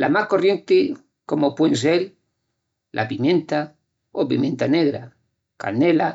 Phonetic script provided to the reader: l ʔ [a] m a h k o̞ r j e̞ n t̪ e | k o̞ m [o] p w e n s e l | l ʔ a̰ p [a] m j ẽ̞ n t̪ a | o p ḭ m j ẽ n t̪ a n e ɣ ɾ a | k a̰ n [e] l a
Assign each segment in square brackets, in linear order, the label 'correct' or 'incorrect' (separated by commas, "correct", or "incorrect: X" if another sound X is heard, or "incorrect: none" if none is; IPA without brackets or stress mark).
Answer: correct, correct, incorrect: i, correct